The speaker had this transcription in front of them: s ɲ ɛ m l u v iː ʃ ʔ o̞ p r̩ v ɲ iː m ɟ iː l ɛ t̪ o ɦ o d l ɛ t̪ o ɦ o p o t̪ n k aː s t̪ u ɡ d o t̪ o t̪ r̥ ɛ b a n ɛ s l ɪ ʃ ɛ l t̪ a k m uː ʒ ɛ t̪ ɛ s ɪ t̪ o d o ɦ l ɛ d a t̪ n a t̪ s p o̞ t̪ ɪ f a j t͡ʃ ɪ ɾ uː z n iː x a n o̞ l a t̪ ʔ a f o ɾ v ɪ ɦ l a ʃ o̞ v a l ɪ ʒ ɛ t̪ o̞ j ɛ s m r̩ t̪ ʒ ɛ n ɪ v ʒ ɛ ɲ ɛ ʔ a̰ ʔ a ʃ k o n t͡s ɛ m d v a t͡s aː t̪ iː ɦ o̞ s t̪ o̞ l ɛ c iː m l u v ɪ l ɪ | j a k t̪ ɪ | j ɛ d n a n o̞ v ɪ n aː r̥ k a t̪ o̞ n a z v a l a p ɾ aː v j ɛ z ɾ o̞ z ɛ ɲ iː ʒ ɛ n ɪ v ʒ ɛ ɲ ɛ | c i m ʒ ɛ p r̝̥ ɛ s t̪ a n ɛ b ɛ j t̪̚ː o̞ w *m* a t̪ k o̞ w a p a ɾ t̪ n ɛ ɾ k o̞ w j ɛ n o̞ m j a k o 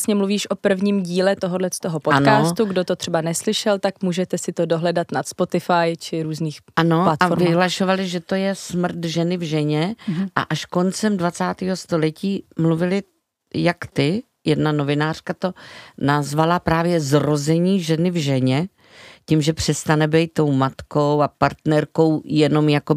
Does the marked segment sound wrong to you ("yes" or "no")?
no